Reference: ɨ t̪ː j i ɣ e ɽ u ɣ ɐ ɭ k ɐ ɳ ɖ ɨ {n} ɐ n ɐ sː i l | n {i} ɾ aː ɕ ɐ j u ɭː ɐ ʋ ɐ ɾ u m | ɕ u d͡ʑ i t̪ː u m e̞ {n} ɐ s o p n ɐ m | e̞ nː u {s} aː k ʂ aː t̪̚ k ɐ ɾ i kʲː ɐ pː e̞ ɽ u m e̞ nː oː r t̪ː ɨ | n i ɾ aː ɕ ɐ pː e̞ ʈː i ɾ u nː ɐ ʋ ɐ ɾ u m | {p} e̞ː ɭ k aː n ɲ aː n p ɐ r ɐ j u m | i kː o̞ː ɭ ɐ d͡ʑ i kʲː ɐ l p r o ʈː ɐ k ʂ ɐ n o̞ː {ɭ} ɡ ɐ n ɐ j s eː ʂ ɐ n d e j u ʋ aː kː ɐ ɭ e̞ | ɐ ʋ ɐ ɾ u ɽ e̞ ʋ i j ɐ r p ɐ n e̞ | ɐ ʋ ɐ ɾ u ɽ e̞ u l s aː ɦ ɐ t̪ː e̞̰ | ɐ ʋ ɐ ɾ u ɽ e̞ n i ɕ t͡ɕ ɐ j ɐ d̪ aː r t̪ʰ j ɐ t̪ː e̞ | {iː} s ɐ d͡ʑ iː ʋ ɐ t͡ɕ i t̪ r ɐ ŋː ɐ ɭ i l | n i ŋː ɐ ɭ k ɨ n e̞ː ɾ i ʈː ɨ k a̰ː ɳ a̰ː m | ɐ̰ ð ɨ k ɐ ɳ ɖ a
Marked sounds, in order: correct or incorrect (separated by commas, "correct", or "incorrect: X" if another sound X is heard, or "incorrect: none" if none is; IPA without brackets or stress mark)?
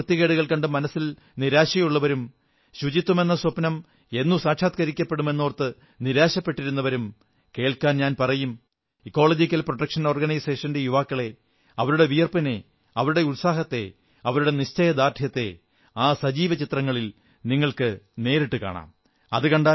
incorrect: m, correct, incorrect: nː, correct, incorrect: k, incorrect: r, incorrect: aː